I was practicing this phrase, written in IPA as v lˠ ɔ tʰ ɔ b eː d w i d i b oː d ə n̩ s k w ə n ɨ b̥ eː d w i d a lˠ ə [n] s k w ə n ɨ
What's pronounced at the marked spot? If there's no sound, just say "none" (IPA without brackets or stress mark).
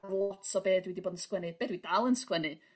n